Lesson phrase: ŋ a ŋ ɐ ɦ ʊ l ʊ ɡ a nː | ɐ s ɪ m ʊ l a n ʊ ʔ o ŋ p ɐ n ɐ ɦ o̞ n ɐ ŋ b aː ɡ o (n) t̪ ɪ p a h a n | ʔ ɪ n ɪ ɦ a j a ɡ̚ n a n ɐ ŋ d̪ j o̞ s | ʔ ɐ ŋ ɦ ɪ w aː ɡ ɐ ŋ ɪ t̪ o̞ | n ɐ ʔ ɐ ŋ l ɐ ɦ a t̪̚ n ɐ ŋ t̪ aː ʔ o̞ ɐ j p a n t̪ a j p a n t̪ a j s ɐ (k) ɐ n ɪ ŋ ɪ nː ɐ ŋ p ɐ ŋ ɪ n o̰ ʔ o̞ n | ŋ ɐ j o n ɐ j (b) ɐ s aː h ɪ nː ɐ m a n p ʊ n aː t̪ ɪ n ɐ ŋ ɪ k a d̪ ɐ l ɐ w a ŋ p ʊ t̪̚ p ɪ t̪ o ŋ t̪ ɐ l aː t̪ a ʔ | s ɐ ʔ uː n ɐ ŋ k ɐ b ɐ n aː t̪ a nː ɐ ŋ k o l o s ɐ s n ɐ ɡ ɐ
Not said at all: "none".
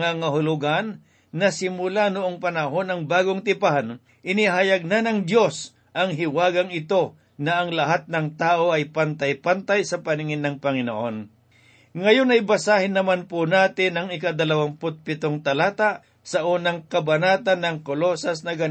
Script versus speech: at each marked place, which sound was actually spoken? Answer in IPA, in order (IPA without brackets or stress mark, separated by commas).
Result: ŋ, p, b